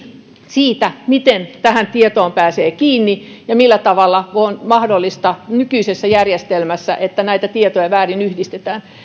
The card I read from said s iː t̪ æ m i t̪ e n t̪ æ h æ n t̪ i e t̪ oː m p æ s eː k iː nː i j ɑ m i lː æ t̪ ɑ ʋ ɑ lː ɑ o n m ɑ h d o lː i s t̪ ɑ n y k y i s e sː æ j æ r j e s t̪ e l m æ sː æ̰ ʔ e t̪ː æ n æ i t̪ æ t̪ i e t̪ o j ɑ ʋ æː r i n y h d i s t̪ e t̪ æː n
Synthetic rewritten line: s iː t̪ æ m i t̪ e n t̪ æ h æ n t̪ i e t̪ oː m p æː s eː k iː nː i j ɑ m i lː æ t̪ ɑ ʋ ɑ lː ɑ o n m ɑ h d o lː i s t̪ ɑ n y k y i s e sː æ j æ r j e s t̪ e l m æ sː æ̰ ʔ e t̪ː æ n æ i t̪ æ t̪ i e t̪ o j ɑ ʋ æː r i n y h d i s t̪ e t̪ æː n